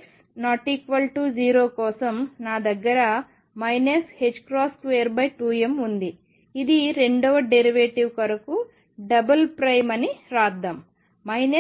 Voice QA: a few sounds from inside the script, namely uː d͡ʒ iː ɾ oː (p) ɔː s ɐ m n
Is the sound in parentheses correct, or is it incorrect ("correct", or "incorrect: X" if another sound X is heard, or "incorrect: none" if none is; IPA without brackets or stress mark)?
incorrect: k